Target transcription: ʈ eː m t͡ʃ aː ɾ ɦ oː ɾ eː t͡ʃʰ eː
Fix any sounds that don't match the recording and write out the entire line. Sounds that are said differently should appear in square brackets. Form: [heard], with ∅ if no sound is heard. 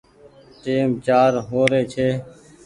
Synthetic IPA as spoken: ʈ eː m t͡ʃ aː ɾ ɦ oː ɾ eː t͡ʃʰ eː